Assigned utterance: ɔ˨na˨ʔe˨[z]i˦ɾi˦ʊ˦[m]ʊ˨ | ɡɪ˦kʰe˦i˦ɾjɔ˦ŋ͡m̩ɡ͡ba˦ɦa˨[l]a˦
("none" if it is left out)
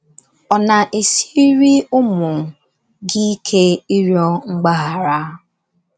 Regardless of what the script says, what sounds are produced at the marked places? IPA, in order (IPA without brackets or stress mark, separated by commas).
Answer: s, m, ɾ